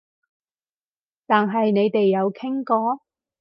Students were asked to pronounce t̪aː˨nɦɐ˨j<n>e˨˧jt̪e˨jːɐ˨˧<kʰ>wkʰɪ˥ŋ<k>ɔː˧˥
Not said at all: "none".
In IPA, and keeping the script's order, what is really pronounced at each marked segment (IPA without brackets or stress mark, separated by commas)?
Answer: n, none, k